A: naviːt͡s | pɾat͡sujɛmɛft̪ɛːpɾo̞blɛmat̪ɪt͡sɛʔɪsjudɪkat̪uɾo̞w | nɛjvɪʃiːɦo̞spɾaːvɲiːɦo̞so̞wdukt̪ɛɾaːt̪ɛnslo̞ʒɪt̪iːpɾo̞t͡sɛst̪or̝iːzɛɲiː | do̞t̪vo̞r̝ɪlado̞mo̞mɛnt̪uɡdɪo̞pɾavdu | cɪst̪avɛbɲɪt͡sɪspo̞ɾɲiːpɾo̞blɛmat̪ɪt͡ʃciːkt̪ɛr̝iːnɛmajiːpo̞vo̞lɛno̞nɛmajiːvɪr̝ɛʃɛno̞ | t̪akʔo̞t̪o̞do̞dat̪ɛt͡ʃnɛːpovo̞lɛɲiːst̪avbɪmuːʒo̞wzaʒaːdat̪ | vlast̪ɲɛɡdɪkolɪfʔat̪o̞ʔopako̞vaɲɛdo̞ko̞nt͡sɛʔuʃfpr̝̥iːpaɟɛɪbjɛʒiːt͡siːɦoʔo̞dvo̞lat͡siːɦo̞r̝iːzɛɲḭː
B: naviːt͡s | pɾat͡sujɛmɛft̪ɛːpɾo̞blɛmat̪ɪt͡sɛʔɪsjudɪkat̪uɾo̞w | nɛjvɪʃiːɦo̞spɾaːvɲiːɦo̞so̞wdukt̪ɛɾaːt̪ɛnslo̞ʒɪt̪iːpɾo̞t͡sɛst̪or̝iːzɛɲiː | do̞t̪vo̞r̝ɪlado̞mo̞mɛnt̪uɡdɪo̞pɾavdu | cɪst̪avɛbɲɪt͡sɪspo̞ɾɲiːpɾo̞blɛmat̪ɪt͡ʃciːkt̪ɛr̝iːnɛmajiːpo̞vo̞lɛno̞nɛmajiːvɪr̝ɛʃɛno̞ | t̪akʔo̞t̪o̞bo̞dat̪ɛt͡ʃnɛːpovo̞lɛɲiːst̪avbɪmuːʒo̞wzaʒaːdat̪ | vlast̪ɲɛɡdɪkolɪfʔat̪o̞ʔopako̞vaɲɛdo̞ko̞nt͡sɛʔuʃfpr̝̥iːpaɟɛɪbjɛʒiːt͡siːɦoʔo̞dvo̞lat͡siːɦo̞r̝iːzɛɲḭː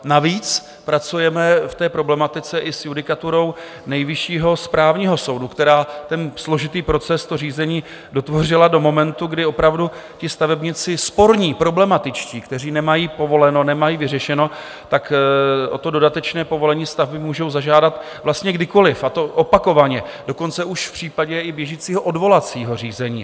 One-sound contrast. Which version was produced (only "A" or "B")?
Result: A